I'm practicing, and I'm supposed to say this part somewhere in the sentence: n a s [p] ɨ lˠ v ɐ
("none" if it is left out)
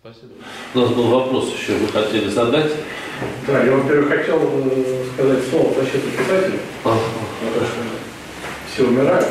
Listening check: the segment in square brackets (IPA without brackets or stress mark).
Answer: b